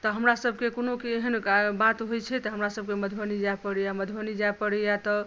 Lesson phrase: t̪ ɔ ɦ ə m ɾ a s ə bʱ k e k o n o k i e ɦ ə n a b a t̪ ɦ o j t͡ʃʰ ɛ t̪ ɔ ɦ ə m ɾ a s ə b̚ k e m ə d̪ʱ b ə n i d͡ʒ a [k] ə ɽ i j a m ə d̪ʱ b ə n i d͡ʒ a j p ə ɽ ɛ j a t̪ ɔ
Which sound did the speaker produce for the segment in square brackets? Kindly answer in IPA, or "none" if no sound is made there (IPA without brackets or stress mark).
p